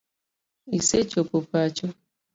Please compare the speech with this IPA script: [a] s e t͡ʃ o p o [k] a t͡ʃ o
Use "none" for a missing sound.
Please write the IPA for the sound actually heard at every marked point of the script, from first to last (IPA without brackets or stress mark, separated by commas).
i, p